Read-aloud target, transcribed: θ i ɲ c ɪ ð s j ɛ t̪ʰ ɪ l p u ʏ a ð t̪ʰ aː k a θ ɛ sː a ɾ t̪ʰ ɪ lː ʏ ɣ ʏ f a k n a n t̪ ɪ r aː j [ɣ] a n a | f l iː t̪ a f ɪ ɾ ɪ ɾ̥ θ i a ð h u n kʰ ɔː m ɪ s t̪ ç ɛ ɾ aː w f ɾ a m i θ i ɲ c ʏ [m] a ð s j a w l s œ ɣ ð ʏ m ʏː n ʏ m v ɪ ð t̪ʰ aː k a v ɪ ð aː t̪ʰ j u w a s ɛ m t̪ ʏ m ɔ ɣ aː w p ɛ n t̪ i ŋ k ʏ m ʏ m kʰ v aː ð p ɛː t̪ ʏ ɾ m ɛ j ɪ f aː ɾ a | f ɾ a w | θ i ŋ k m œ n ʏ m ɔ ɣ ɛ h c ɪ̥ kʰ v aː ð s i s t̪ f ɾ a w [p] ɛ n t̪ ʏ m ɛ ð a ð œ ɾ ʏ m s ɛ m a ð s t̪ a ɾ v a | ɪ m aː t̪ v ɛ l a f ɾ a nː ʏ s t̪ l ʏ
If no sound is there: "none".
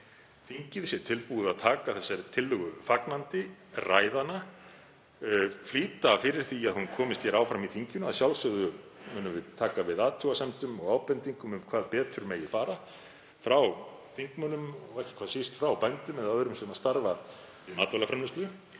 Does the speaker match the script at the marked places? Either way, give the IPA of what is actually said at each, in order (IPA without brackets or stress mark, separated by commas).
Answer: ð, n, p